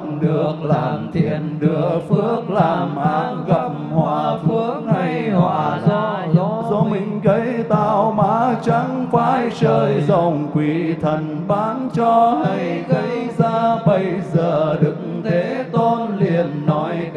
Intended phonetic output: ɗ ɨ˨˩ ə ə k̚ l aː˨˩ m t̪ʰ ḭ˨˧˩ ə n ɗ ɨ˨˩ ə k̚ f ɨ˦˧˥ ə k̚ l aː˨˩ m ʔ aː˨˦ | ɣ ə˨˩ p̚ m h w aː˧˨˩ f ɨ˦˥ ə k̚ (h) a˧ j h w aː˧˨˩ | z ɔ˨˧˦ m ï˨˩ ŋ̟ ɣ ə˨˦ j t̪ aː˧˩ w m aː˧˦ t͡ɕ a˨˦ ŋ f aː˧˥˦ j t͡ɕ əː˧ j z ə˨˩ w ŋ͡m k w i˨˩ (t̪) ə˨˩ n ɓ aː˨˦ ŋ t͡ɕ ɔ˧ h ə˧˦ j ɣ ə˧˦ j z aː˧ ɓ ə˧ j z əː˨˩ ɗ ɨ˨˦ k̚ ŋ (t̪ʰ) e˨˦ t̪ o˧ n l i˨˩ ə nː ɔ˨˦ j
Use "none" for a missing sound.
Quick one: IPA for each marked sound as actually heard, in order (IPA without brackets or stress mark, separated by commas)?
h, t̪ʰ, t̪ʰ